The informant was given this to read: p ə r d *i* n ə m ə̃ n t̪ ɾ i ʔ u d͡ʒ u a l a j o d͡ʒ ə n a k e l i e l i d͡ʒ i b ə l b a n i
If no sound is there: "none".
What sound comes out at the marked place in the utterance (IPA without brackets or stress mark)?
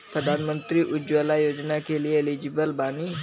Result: a